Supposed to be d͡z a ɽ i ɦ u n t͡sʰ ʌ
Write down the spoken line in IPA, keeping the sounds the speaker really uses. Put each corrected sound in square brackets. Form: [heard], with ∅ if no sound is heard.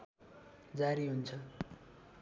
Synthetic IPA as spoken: d͡z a [ɾ] i ɦ u n t͡sʰ ʌ